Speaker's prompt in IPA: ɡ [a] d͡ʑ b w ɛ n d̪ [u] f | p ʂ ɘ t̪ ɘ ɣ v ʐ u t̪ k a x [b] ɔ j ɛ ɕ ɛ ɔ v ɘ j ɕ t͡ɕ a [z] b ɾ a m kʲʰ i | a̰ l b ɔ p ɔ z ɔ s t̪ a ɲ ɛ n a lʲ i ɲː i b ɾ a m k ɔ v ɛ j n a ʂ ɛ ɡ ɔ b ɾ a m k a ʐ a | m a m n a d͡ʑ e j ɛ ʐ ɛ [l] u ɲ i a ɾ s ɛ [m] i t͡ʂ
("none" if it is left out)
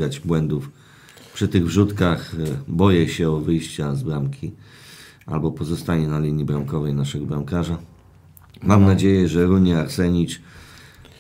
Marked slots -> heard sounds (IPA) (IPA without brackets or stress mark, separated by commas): a, u, b, z, ɾ, ɲ